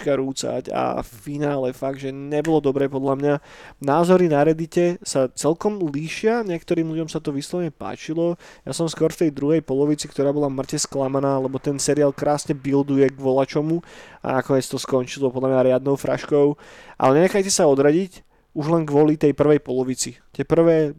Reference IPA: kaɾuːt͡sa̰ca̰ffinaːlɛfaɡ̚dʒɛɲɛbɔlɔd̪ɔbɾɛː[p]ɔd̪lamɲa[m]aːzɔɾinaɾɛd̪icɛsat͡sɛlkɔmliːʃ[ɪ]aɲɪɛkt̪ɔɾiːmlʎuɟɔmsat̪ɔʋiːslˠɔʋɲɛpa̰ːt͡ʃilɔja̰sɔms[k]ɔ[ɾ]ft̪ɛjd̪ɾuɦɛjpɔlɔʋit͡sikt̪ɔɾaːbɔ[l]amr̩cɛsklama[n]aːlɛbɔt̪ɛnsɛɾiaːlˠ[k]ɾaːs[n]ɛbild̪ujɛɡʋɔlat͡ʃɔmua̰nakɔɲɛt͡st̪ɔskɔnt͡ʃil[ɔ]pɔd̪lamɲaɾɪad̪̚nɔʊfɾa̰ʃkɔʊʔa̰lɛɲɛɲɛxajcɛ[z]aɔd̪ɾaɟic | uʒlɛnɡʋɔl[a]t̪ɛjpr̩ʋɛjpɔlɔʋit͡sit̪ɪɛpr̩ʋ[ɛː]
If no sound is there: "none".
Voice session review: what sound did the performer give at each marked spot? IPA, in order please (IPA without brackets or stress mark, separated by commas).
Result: p, n, ɪ, k, ɾ, l, n, k, ɲ, ɔ, s, i, ɛː